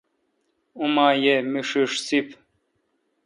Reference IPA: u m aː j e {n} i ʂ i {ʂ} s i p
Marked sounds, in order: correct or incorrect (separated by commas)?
incorrect, correct